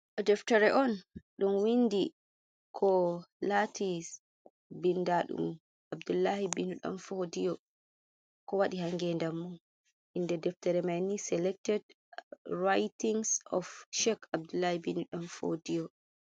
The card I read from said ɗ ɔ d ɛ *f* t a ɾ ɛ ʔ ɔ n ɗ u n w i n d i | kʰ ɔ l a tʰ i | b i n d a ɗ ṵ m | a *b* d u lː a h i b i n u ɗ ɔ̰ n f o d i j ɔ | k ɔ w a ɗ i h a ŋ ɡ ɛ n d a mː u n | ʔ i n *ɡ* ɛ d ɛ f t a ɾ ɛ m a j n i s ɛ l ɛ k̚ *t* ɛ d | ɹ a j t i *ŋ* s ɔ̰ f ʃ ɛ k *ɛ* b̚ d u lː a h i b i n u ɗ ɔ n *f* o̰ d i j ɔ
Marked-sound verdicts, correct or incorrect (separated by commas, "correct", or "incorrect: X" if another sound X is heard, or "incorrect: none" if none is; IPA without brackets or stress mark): correct, correct, incorrect: d, correct, correct, incorrect: a, correct